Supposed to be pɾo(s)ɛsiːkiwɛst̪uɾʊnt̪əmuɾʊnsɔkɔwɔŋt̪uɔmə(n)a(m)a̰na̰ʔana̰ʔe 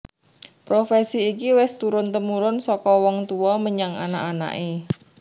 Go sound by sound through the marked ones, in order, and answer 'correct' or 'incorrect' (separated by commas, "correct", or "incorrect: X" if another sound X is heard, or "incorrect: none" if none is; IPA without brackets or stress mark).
incorrect: f, incorrect: ɲ, incorrect: ŋ